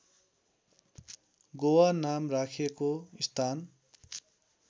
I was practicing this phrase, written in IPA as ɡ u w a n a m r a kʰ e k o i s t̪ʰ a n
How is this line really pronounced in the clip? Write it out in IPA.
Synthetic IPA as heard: ɡ o w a n a m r a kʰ e k o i s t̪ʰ a n